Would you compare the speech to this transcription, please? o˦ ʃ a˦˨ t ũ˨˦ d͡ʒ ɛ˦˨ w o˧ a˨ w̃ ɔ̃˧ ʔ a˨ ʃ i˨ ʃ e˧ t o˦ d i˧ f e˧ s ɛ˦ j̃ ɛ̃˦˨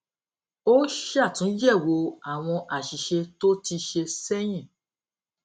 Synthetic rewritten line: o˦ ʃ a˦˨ t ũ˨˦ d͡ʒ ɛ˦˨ w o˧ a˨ w̃ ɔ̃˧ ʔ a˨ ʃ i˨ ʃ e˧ t o˦ t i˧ ʃ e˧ s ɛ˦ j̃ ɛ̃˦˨

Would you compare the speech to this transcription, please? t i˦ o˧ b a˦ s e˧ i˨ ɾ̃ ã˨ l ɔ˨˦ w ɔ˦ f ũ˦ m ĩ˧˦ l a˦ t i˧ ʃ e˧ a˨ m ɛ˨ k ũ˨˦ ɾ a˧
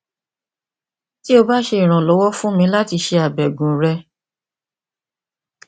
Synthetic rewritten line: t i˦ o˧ b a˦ ʃ e˧ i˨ ɾ̃ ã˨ l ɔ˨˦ w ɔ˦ f ũ˦ m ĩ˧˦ l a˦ t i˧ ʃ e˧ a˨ b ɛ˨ ɡ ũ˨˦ ɾ ɛ˧

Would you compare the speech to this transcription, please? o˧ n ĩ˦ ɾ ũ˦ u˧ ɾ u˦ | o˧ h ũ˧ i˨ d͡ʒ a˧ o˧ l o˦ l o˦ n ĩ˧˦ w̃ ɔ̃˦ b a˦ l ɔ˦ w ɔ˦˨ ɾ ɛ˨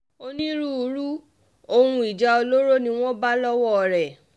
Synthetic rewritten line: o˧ n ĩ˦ ɾ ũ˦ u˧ ɾ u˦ | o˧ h ũ˧ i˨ d͡ʒ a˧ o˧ l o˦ ɾ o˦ n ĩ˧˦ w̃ ɔ̃˦ b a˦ l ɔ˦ w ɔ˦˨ ɾ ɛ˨

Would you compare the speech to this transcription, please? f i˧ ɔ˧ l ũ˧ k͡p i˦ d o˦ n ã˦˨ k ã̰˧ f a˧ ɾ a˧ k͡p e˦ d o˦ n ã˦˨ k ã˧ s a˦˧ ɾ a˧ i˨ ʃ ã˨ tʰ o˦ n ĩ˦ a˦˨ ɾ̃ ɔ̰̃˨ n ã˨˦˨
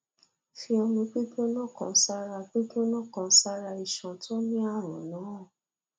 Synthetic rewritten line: f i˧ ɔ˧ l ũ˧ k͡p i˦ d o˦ n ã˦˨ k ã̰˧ s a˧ ɾ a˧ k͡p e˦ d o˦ n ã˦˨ k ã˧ s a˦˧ ɾ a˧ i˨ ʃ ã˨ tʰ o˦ n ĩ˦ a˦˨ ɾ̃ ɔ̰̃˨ n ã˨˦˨

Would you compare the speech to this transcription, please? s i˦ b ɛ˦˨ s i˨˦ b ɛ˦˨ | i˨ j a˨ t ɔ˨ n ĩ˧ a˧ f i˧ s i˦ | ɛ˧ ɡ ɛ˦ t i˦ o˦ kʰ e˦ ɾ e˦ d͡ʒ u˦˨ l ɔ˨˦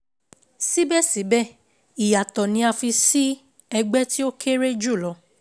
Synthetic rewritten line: s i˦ b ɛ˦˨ s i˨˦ b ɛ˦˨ | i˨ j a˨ t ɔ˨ n ĩ˧ a˧ f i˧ s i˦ | ɛ˧ ɡ͡b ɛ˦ t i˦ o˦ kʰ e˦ ɾ e˦ d͡ʒ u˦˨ l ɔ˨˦

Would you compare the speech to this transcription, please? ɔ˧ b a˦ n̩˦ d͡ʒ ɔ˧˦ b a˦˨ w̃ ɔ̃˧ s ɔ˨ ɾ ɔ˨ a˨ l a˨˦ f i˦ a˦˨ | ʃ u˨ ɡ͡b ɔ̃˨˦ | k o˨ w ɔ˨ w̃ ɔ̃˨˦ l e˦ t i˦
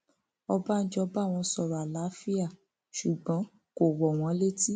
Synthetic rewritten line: ɔ˧ b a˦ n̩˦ d͡ʒ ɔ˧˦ b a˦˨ w̃ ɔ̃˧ s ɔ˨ ɾ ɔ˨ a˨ l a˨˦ f i˦ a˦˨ | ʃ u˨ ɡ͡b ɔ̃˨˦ | k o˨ w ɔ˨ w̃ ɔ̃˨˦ l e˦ t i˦

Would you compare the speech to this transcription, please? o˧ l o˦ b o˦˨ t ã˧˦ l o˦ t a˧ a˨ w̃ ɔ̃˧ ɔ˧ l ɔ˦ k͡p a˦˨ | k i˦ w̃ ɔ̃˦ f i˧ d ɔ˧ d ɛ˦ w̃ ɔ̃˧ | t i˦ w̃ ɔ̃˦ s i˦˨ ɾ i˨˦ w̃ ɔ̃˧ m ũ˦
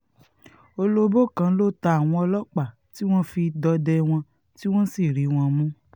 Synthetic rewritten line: o˧ l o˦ b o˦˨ k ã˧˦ l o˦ t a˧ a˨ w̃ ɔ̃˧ ɔ˧ l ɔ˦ k͡p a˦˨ | t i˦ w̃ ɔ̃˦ f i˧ d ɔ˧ d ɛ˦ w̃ ɔ̃˧ | t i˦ w̃ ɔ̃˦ s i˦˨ ɾ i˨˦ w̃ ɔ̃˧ m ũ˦

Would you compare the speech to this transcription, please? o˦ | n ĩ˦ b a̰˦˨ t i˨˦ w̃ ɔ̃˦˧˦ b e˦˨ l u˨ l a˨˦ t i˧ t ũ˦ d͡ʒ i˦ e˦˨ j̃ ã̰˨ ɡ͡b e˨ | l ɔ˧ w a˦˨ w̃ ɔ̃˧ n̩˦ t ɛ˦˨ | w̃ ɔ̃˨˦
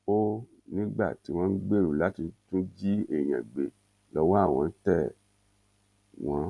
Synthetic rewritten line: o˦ | n ĩ˦ ɡ͡b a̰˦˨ t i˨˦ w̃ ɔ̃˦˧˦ ɡ͡b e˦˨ ɾ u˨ l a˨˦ t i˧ t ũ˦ d͡ʒ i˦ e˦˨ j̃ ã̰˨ ɡ͡b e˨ | l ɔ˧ w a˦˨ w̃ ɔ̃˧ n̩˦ t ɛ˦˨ | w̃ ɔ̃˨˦

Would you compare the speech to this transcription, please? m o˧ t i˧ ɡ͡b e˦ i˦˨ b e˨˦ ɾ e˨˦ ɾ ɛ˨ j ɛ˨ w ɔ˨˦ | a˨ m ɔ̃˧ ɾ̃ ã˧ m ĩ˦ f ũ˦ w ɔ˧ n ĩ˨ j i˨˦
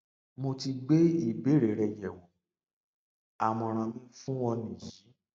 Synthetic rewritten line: m o˧ t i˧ ɡ͡b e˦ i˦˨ b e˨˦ ɾ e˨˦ ɾ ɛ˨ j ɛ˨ w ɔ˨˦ | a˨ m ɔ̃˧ ɾ̃ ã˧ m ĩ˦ f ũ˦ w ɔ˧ n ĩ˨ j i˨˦

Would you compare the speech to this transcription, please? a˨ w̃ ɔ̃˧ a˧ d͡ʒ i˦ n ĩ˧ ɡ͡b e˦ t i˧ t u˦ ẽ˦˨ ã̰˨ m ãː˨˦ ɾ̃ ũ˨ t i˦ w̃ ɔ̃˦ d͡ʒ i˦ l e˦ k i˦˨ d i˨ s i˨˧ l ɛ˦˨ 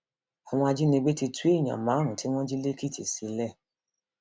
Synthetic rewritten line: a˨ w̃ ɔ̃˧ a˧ d͡ʒ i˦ n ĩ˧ ɡ͡b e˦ t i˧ t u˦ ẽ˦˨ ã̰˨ m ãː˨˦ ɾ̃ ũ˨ t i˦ w̃ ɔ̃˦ d͡ʒ i˦ l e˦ k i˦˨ t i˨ s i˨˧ l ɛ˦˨

